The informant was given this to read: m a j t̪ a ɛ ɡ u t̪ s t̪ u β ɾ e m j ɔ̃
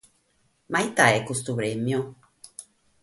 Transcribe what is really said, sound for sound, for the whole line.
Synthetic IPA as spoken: m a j t̪ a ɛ k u s t̪ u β ɾ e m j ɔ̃